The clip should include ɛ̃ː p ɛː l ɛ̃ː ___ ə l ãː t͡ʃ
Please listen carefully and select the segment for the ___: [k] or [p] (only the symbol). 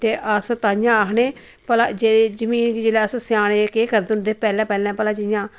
p